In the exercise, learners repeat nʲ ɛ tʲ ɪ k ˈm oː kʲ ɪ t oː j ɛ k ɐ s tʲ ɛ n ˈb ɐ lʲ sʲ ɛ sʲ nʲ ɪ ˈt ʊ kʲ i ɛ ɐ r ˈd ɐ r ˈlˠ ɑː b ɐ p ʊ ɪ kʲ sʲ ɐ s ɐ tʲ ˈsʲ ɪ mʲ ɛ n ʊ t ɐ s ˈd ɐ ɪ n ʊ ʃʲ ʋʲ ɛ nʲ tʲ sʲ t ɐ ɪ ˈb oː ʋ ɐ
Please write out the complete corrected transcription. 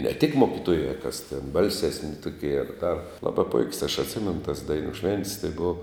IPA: nʲ ɛ tʲ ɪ k ˈm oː kʲ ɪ t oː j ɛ k ɐ s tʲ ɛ n ˈb ɐ lʲ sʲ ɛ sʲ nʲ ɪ ˈt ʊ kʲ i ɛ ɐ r ˈd ɐ r ˈlˠ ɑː b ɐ p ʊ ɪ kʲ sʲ ɐ ʃ ɐ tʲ ˈsʲ ɪ mʲ ɛ n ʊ t ɐ s ˈd ɐ ɪ n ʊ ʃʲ ʋʲ ɛ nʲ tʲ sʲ t ɐ ɪ ˈb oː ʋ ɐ